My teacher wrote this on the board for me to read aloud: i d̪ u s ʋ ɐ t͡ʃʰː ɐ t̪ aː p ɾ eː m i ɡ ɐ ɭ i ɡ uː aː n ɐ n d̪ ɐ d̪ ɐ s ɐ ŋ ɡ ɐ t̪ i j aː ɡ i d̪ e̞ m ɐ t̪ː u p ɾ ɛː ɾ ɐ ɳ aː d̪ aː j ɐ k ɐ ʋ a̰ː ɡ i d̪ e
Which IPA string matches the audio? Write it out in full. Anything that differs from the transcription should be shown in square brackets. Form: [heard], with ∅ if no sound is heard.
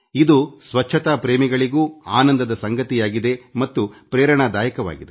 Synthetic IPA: i d̪ u s ʋ ɐ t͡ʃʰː ɐ t̪ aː p ɾ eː m i ɡ ɐ ɭ i ɡ uː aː n ɐ n d̪ ɐ d̪ ɐ s ɐ ŋ ɡ ɐ t̪ i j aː ɡ i d̪ e̞ m ɐ t̪ː u p ɾ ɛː ɾ ɐ ɳ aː d̪ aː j ɐ k ɐ ʋ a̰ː ɡ i d̪ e